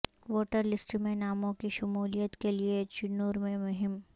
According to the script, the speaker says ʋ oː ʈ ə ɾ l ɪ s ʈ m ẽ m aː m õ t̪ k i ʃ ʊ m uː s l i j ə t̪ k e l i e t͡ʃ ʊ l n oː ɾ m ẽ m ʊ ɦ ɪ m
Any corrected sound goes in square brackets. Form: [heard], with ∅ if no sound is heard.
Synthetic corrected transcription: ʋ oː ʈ ə ɾ l ɪ s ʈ m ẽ [n] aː m õ [∅] k i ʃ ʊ m uː [∅] l i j ə t̪ k e l i e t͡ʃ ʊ [∅] n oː ɾ m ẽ m ʊ ɦ ɪ m

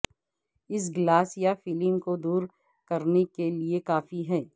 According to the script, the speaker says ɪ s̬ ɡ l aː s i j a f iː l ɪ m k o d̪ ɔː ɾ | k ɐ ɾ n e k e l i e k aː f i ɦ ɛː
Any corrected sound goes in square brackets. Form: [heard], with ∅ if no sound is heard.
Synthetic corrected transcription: ɪ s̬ ɡ l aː s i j a f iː l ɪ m k o d̪ [uː] ɾ | k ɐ ɾ n e k e l i e k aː f i ɦ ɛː

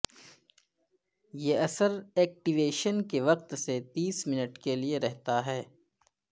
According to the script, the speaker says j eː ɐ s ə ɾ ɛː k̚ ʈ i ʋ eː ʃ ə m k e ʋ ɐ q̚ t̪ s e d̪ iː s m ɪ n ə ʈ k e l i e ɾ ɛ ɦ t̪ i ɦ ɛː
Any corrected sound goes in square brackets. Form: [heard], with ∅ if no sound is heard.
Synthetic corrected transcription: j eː ɐ s ə ɾ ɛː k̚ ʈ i ʋ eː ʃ ə [n] k e ʋ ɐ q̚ t̪ s e [t̪] iː s m ɪ n ə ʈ k e l i e ɾ ɛ ɦ t̪ [a] ɦ ɛː

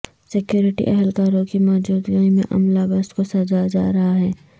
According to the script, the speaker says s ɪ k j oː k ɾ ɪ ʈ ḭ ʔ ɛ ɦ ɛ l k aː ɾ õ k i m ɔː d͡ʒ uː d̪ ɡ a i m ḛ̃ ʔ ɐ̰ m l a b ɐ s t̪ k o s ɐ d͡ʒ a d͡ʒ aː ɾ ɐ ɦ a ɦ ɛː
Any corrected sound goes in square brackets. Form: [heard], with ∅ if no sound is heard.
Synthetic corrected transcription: s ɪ k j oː [∅] ɾ ɪ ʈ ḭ ʔ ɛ ɦ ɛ l k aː ɾ õ k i m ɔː d͡ʒ uː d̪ ɡ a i m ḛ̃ ʔ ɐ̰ m l a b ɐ s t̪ k o s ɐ d͡ʒ a d͡ʒ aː ɾ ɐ ɦ a ɦ ɛː

